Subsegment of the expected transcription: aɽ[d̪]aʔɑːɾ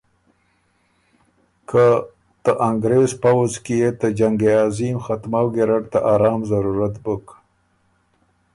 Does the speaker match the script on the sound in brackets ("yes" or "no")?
no